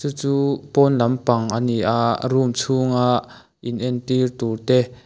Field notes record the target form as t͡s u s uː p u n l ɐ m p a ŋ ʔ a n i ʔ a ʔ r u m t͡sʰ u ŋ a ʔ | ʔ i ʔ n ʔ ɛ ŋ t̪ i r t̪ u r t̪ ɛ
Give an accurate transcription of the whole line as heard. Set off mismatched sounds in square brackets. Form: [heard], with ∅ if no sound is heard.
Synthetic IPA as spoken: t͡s u [t͡s] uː p [ɔ] n l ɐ m p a ŋ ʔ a n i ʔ a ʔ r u m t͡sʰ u ŋ a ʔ | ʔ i [∅] n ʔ ɛ [n] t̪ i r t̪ u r t̪ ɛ